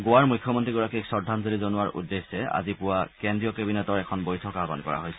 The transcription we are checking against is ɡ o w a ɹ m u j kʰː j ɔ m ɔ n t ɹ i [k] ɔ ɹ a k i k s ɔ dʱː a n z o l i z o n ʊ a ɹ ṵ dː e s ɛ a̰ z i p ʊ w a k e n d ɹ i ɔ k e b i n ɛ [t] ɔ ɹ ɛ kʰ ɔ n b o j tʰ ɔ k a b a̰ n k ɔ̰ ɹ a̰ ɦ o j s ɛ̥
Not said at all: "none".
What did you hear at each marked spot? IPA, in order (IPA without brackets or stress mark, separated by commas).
ɡ, t